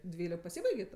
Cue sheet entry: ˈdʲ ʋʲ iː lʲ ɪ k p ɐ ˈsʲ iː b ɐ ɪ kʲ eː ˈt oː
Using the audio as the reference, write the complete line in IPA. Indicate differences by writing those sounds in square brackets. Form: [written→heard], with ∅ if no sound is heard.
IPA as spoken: ˈdʲ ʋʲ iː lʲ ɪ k p ɐ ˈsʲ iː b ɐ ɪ [kʲ→ɡʲ] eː ˈt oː